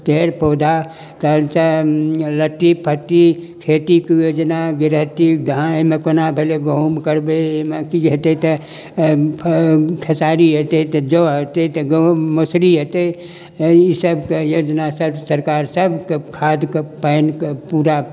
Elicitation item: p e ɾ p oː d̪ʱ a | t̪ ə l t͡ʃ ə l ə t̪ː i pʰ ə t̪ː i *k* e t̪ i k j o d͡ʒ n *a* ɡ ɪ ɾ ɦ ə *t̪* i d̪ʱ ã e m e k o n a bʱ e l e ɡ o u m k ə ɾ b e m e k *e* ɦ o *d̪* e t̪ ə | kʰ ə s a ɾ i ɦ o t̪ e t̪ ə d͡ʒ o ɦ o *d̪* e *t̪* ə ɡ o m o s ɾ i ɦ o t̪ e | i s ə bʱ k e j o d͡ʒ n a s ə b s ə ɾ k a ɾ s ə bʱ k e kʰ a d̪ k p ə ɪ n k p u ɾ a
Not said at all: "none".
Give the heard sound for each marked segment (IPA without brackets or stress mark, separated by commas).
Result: kʰ, a, t̪, i, t̪, t̪, t̪